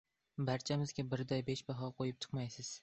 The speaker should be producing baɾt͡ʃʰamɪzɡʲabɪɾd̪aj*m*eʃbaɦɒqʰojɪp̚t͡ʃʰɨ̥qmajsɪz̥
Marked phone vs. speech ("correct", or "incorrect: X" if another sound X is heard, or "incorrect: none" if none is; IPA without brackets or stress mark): incorrect: b